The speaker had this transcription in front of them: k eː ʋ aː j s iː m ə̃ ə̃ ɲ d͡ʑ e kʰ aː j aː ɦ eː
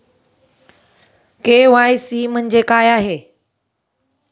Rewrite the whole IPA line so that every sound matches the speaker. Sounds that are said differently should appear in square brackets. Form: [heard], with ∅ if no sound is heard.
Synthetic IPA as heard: k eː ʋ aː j s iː m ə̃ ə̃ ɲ d͡ʑ e [k] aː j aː ɦ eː